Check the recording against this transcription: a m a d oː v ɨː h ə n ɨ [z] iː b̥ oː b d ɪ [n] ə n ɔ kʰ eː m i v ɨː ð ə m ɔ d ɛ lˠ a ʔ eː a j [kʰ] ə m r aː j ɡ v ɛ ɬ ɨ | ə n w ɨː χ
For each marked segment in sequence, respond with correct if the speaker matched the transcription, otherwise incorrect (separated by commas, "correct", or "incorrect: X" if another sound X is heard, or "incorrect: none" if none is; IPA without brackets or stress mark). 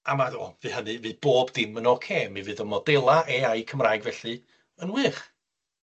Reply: incorrect: v, incorrect: m, correct